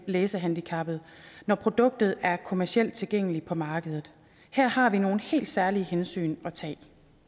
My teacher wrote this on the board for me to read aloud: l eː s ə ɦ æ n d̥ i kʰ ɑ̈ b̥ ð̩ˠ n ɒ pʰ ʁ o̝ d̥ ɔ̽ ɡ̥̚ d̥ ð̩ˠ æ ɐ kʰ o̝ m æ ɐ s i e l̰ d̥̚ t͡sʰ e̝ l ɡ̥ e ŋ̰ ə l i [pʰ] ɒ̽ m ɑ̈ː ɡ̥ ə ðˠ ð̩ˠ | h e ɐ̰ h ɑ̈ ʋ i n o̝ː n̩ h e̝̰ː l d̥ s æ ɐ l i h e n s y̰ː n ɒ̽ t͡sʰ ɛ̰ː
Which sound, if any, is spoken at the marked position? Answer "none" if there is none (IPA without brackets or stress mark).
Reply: pʰ